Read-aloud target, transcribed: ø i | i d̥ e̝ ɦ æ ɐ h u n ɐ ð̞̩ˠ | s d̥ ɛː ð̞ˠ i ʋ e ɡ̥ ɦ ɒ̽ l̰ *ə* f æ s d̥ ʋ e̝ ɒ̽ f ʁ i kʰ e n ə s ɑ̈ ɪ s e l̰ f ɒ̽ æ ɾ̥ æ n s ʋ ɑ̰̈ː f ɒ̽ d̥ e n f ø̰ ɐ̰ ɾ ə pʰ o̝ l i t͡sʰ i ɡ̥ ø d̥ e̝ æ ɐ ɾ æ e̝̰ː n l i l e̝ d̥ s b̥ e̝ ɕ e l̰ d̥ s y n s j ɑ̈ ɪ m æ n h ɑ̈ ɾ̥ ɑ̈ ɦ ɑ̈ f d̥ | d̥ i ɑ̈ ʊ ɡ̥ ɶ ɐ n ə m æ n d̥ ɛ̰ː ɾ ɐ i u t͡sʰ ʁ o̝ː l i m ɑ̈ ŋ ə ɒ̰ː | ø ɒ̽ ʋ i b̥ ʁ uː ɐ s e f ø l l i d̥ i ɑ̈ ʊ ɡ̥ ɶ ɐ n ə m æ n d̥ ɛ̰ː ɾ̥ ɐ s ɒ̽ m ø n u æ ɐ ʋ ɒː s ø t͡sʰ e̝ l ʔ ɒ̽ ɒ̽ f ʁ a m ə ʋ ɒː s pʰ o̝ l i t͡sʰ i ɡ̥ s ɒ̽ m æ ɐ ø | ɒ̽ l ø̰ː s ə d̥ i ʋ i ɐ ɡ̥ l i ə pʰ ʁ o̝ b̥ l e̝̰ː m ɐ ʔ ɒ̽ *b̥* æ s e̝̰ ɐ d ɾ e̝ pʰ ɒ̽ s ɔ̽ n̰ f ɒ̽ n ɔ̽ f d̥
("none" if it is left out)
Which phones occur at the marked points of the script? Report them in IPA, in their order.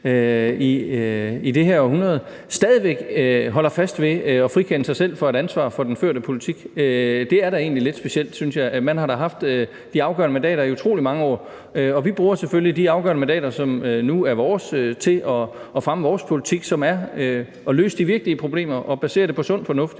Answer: ɐ, b̥

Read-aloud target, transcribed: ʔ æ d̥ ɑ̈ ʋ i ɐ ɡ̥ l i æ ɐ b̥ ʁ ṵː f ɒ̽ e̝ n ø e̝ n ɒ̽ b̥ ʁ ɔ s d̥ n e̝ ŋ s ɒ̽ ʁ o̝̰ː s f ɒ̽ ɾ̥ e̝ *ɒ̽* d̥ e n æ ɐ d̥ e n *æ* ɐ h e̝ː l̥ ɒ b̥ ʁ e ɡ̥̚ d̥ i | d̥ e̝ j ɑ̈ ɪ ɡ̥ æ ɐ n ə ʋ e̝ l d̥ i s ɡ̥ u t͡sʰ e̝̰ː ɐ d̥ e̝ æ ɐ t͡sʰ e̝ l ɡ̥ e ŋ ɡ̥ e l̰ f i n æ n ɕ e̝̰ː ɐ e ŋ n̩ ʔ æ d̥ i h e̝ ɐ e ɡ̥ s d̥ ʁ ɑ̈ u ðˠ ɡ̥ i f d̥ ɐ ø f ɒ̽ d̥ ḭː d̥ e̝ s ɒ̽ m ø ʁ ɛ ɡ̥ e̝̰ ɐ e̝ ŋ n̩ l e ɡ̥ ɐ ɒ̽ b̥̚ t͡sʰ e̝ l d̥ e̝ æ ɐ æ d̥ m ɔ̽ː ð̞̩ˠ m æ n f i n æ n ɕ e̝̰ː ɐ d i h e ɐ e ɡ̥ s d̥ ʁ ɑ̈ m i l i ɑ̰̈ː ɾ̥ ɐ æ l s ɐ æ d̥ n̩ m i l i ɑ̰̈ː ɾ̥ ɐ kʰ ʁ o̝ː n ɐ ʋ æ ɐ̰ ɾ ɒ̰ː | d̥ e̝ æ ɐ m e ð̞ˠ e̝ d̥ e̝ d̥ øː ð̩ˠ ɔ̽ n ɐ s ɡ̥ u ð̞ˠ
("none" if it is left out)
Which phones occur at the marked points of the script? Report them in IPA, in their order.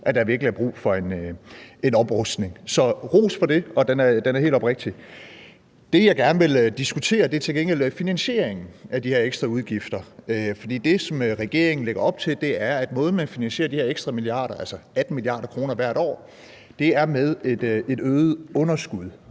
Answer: ɒ̽, æ

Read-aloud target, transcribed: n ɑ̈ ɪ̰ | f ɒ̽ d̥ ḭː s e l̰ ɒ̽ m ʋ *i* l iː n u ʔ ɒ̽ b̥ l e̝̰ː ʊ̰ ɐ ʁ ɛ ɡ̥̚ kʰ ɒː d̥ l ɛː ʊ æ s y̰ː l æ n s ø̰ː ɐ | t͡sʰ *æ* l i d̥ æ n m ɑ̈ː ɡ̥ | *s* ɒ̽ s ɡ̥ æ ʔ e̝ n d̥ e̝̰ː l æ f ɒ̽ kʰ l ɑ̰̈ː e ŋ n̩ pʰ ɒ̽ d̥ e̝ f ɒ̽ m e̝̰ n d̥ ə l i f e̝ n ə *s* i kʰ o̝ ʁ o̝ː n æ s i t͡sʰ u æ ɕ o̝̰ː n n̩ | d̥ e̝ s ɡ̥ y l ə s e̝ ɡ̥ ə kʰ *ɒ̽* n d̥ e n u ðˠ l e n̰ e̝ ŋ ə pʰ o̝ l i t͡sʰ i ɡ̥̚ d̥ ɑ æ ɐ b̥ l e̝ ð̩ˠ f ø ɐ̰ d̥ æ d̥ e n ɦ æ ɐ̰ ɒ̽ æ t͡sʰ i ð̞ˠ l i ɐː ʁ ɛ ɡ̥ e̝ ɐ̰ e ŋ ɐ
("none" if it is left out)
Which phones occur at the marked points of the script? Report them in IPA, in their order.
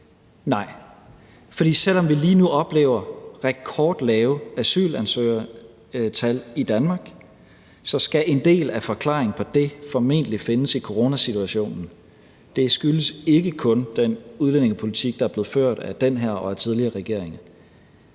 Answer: i, æ, s, s, ɔ̽

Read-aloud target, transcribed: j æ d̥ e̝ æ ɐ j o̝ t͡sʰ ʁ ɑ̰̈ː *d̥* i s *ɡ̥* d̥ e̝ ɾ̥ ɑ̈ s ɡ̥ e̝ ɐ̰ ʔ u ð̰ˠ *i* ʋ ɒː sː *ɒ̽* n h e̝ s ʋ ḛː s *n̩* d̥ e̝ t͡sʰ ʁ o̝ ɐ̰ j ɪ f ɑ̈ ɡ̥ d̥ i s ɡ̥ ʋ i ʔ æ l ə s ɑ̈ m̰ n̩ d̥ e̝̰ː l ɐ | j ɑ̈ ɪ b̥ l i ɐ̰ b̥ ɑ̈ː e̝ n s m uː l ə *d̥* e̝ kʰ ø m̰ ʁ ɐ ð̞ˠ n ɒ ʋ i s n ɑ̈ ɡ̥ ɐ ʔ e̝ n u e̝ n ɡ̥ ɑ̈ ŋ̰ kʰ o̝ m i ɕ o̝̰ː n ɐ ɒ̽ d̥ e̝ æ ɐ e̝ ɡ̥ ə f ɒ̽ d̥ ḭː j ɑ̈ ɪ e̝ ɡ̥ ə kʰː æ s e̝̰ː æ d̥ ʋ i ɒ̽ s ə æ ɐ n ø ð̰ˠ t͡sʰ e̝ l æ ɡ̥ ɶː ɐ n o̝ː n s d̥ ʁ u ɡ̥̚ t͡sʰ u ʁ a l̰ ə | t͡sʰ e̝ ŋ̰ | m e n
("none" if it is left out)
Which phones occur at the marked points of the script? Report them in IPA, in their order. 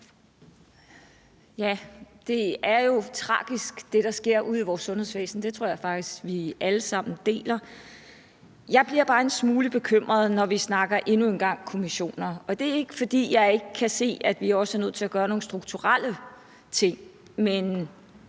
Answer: ɡ̥, ɡ̥, i, ɔ̽, n̩, b̥

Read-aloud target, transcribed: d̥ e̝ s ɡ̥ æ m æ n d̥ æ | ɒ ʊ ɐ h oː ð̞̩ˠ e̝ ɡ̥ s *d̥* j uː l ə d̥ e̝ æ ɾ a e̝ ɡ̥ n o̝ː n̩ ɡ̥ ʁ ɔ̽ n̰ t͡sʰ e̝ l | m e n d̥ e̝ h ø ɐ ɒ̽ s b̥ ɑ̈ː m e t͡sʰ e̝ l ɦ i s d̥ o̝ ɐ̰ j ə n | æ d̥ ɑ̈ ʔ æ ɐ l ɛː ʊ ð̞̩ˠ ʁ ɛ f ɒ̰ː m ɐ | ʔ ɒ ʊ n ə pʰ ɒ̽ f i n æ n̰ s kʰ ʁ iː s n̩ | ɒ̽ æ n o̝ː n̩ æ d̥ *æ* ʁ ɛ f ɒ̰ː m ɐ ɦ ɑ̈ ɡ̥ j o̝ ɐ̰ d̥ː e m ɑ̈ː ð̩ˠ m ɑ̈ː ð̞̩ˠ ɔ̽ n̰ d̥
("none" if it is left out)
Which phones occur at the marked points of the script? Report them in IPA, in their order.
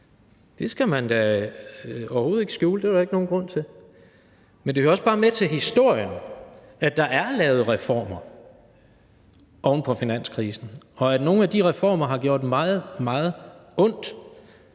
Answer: ɡ̥, i

